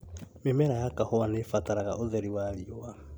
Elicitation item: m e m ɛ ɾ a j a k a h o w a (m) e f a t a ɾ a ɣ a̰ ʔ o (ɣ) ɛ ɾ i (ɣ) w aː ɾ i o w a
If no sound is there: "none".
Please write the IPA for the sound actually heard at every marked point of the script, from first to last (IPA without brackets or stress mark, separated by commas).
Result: n, ð, none